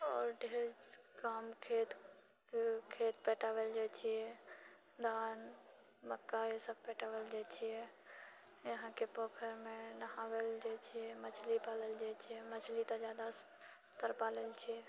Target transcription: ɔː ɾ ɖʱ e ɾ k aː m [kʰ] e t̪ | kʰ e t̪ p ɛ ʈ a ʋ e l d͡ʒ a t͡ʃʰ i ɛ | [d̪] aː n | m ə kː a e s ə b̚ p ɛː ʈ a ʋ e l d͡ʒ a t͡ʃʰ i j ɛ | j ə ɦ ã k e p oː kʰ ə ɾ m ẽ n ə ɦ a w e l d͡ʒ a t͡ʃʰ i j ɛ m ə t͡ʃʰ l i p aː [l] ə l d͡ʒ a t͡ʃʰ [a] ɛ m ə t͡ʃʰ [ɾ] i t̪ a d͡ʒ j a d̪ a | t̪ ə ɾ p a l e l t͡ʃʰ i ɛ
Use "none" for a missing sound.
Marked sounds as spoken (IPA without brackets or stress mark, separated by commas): kʰ, d̪, l, i, l